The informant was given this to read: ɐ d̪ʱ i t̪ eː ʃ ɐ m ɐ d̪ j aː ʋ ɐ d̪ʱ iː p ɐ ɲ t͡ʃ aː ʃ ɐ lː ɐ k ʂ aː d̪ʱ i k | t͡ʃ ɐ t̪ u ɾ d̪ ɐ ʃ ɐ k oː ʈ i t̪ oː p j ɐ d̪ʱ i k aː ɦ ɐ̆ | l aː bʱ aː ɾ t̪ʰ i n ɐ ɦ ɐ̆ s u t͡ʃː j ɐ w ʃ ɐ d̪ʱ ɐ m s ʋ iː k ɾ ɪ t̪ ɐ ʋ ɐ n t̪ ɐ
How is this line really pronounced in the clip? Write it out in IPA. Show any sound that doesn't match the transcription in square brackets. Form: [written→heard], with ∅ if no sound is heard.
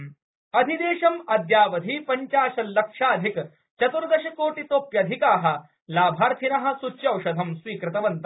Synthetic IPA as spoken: ɐ d̪ʱ i [t̪→d̪] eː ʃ ɐ m ɐ d̪ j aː ʋ ɐ d̪ʱ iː p ɐ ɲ t͡ʃ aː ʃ ɐ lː ɐ k ʂ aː d̪ʱ i k | t͡ʃ ɐ t̪ u ɾ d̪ ɐ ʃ ɐ k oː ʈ i t̪ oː p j ɐ d̪ʱ i k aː ɦ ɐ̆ | l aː bʱ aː ɾ t̪ʰ i n ɐ ɦ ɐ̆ s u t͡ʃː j ɐ w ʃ ɐ d̪ʱ ɐ m s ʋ iː k ɾ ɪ t̪ ɐ ʋ ɐ n t̪ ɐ

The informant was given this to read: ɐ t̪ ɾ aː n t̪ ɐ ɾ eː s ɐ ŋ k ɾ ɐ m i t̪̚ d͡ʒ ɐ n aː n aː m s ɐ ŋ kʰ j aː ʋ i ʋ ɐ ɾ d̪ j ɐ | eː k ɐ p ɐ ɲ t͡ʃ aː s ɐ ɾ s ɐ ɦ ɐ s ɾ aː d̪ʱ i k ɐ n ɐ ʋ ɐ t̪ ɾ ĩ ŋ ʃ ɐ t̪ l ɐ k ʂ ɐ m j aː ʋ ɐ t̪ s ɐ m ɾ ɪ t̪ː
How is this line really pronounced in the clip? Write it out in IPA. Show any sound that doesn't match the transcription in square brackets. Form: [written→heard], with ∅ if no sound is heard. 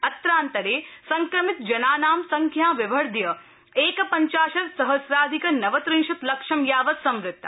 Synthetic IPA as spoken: ɐ t̪ ɾ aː n t̪ ɐ ɾ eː s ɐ ŋ k ɾ ɐ m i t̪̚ d͡ʒ ɐ n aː n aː m s ɐ ŋ kʰ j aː ʋ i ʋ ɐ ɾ d̪ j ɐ | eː k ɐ p ɐ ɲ t͡ʃ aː [s→ʃ] ɐ ɾ s ɐ ɦ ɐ s ɾ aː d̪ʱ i k ɐ n ɐ ʋ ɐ t̪ ɾ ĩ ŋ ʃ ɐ t̪ l ɐ k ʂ ɐ m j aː ʋ ɐ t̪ s ɐ m ɾ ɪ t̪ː

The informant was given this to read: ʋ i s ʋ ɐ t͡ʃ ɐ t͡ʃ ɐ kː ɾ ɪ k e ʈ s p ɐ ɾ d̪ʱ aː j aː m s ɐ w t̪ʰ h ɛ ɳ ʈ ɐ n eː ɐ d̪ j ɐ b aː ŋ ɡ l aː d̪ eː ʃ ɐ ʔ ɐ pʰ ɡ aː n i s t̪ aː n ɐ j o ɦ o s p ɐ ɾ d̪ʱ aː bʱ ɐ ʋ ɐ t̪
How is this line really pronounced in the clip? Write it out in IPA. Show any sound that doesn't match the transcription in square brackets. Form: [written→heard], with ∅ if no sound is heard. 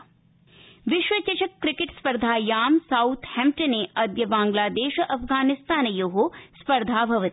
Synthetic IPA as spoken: ʋ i [s→ʃ] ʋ ɐ t͡ʃ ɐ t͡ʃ ɐ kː ɾ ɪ k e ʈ s p ɐ ɾ d̪ʱ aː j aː m s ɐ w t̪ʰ h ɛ [ɳ→m] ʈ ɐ n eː ɐ d̪ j ɐ b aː ŋ ɡ l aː d̪ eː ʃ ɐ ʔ ɐ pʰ ɡ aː n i s t̪ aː n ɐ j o ɦ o s p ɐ ɾ d̪ʱ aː bʱ ɐ ʋ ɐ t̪

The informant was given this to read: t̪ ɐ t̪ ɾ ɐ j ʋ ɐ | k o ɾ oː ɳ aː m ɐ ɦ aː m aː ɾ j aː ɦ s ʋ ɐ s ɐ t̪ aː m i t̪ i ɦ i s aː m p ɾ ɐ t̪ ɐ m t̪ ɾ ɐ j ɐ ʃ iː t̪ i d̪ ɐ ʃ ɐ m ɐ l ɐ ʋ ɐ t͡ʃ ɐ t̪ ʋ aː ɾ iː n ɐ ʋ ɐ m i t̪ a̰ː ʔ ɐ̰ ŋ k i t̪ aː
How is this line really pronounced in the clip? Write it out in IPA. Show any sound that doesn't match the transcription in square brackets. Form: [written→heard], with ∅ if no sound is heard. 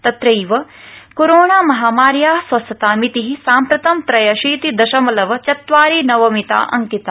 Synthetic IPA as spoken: t̪ ɐ t̪ ɾ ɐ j ʋ ɐ | k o ɾ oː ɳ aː m ɐ ɦ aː m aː ɾ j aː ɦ s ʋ ɐ s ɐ t̪ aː m i t̪ i ɦ i s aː m p ɾ ɐ t̪ ɐ m t̪ ɾ ɐ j ɐ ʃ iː t̪ i d̪ ɐ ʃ ɐ m ɐ l ɐ ʋ ɐ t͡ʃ ɐ t̪ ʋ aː ɾ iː n ɐ ʋ ɐ m i t̪ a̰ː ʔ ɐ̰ ŋ k i t̪ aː

